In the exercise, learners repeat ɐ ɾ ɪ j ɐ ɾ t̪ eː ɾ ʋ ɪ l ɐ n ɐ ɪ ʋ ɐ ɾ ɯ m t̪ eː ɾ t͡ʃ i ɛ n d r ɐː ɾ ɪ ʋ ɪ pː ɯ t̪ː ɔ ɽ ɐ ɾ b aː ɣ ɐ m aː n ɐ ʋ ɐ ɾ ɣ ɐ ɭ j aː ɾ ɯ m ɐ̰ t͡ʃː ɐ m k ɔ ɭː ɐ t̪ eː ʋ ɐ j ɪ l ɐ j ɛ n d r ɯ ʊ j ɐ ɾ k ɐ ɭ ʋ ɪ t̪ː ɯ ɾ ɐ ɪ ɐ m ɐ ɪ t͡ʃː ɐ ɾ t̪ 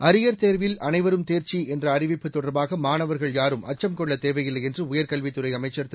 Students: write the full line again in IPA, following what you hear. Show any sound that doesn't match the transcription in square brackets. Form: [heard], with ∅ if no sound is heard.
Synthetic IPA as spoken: ɐ ɾ ɪ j ɐ ɾ t̪ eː ɾ ʋ ɪ l ɐ n ɐ ɪ ʋ ɐ ɾ ɯ m t̪ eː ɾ t͡ʃ i ɛ n d r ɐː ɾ ɪ ʋ ɪ pː ɯ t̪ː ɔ ɽ ɐ ɾ b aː ɣ ɐ m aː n ɐ ʋ ɐ ɾ ɣ ɐ ɭ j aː ɾ ɯ m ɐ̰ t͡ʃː ɐ m k ɔ ɭː ɐ t̪ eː ʋ ɐ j ɪ [lː] ɐ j ɛ n d r ɯ ʊ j ɐ ɾ k ɐ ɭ ʋ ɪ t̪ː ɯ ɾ ɐ ɪ ɐ m ɐ ɪ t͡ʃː ɐ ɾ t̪